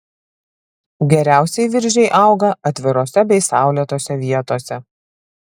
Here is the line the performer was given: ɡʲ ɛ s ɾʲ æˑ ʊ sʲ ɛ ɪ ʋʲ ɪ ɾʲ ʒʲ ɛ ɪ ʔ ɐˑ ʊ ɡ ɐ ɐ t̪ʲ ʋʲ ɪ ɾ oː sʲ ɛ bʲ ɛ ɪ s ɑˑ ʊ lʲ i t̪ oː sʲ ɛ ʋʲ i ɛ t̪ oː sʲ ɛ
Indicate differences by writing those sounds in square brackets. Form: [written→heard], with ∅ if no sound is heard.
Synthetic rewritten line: ɡʲ ɛ [s→∅] ɾʲ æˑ ʊ sʲ ɛ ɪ ʋʲ ɪ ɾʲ ʒʲ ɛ ɪ ʔ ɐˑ ʊ ɡ ɐ ɐ t̪ʲ ʋʲ ɪ ɾ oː sʲ ɛ bʲ ɛ ɪ s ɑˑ ʊ lʲ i t̪ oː sʲ ɛ ʋʲ i ɛ t̪ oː sʲ ɛ